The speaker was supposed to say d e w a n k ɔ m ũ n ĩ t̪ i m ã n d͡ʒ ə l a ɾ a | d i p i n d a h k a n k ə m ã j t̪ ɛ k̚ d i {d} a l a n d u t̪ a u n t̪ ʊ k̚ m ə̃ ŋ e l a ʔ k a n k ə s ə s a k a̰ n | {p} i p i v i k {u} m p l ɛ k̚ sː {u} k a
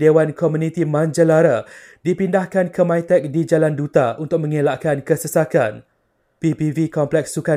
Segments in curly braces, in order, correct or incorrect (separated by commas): incorrect, correct, incorrect, correct